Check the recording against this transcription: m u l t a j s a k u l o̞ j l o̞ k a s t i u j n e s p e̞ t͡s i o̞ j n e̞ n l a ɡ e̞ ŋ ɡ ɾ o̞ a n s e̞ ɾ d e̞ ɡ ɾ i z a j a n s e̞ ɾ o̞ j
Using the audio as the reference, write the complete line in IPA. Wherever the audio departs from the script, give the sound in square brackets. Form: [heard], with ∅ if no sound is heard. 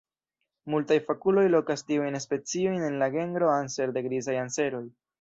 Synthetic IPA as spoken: m u l t a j [f] a k u l o̞ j l o̞ k a s t i u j n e s p e̞ t͡s i o̞ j n e̞ n l a ɡ e̞ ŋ ɡ ɾ o̞ a n s e̞ ɾ d e̞ ɡ ɾ i z a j a n s e̞ ɾ o̞ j